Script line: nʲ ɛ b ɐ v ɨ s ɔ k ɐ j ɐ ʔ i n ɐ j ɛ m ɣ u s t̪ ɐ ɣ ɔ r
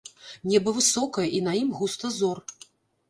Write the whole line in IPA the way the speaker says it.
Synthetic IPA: nʲ ɛ b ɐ v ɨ s ɔ k ɐ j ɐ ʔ i n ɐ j i m ɣ u s t̪ ɐ z ɔ r